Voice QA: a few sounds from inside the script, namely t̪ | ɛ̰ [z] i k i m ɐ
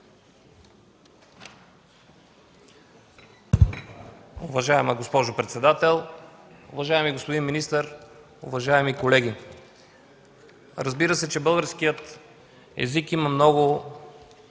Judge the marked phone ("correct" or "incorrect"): correct